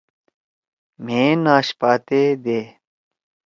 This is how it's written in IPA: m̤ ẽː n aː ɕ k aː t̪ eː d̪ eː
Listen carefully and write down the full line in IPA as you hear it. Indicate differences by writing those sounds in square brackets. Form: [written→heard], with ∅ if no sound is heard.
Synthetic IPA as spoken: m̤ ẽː n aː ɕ [k→p] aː t̪ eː d̪ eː